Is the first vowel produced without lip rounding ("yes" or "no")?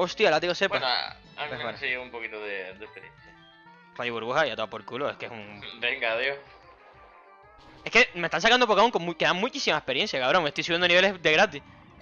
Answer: no